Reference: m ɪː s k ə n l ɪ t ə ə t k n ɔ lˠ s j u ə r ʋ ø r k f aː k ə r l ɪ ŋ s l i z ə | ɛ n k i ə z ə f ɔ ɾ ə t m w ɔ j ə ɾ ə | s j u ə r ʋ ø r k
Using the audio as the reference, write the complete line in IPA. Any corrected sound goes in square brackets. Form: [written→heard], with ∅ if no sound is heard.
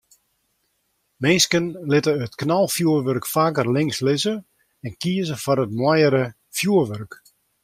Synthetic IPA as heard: m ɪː s k ə n l ɪ t ə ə t k n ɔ lˠ [s→f] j u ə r ʋ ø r k f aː k ə r l ɪ ŋ s l [i→ɪ] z ə | ɛ n k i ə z ə f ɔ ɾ ə t m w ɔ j ə ɾ ə | [s→f] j u ə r ʋ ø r k